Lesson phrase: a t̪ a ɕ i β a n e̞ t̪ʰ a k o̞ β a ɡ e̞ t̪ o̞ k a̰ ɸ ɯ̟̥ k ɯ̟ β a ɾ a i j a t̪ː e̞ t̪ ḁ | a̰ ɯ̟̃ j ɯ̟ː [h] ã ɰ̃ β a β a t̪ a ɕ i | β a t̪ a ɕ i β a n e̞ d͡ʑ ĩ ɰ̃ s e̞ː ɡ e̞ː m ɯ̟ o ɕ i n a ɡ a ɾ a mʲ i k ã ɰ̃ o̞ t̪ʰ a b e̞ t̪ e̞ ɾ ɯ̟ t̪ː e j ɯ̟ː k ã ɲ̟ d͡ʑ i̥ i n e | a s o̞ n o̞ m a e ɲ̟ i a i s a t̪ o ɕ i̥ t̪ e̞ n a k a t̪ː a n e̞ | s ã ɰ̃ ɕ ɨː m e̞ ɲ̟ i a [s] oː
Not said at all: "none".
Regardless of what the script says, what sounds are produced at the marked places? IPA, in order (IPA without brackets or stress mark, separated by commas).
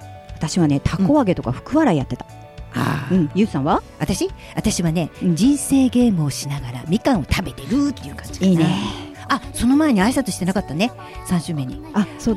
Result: s, s